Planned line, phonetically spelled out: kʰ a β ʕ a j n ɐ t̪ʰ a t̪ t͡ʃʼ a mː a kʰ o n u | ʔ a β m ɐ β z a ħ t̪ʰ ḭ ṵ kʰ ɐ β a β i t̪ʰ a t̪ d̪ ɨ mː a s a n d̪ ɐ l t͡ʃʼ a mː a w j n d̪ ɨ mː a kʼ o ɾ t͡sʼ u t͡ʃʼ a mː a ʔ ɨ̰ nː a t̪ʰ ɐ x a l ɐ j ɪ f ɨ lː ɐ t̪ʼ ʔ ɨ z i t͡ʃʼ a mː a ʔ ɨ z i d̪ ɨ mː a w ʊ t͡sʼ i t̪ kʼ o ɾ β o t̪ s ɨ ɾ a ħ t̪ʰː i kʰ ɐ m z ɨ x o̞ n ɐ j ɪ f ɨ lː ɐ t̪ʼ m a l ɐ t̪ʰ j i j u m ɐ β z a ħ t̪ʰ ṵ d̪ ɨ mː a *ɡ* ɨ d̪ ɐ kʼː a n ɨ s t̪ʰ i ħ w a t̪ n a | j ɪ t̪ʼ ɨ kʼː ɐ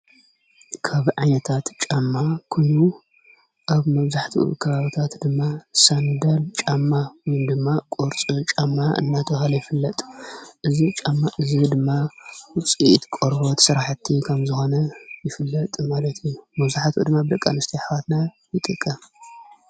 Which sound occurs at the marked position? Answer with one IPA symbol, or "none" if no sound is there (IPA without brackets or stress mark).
b